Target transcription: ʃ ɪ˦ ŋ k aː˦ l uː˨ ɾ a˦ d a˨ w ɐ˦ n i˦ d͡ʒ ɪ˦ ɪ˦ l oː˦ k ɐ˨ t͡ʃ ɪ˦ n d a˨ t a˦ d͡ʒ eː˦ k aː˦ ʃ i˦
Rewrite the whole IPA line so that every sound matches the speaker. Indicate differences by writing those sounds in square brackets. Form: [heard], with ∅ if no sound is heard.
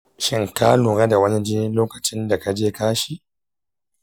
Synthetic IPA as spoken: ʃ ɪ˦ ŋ k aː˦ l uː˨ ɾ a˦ d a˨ w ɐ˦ n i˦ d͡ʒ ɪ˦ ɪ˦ l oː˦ k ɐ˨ t͡ʃ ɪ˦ n d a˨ [k] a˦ d͡ʒ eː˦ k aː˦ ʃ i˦